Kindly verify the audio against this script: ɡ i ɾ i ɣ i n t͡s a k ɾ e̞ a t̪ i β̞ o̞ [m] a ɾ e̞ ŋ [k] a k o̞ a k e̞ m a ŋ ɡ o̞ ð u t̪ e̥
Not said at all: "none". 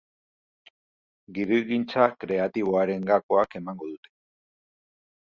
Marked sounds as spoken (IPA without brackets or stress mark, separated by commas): none, ɡ